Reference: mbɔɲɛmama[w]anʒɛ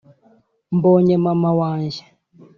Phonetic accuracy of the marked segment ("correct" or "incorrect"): correct